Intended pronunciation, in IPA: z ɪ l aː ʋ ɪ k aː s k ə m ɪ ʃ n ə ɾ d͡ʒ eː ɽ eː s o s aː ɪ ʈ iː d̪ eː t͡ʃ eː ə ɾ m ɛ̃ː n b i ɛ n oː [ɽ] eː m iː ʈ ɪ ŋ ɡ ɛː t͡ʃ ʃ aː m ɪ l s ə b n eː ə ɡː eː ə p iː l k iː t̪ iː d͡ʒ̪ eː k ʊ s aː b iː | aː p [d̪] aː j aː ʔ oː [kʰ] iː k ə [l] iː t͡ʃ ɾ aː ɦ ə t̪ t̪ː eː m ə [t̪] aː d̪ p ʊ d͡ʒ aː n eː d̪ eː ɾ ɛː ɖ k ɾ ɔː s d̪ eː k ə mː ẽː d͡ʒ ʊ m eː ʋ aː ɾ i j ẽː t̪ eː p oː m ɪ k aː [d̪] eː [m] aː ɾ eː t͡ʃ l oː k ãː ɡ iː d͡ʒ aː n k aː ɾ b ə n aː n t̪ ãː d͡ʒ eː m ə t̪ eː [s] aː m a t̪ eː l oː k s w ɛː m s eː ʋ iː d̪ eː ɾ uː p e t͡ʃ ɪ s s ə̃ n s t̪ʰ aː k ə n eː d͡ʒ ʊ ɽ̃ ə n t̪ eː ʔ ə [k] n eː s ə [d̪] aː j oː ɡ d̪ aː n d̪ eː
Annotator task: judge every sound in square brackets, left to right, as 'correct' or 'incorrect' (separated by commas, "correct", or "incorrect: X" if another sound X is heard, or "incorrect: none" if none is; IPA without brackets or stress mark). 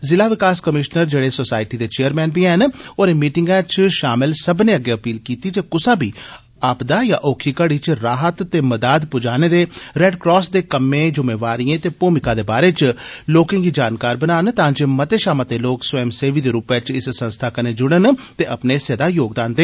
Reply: incorrect: ɾ, correct, correct, incorrect: ɽ, incorrect: d̪, correct, incorrect: b, incorrect: ʃ, incorrect: p, correct